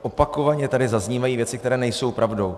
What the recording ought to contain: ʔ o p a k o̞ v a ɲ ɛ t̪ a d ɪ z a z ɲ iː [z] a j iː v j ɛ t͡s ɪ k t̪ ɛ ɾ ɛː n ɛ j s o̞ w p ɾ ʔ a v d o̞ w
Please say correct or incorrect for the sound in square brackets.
incorrect